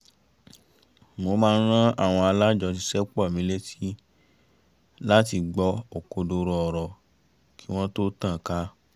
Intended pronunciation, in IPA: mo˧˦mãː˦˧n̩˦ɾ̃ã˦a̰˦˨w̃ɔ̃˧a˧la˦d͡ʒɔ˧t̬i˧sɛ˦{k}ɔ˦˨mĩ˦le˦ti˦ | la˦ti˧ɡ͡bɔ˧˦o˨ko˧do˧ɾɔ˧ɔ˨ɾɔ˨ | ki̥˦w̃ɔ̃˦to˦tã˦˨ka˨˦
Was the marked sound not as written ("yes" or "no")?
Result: yes